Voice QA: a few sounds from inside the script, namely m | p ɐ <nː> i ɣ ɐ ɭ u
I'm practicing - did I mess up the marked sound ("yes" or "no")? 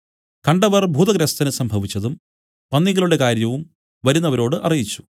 no